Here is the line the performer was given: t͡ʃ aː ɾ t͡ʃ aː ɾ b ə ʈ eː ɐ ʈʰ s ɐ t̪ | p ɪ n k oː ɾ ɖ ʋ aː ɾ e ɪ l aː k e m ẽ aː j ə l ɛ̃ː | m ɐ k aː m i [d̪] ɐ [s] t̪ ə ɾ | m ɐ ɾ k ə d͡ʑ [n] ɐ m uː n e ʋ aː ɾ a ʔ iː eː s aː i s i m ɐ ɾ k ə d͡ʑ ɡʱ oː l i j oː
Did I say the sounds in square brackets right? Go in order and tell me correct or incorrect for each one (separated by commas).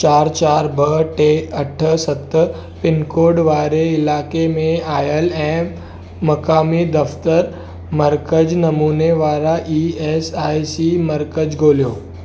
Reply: correct, incorrect, correct